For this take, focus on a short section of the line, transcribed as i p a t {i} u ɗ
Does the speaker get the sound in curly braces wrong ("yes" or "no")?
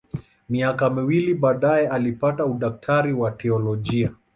yes